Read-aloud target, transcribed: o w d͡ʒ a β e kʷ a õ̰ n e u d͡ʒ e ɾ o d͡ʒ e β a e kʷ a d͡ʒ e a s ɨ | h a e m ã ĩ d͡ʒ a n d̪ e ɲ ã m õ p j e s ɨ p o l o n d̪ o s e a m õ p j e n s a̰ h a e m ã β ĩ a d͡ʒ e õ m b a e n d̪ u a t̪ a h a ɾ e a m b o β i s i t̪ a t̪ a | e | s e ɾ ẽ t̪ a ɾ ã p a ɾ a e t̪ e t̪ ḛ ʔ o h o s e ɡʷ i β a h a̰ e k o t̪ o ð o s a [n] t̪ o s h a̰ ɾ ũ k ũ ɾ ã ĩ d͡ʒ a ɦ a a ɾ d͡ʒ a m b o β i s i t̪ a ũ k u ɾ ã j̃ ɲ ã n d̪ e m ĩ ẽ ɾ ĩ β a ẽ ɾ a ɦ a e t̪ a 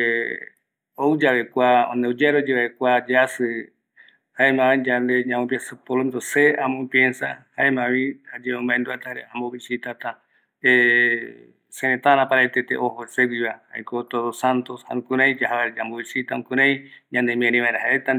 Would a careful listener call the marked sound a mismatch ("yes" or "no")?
no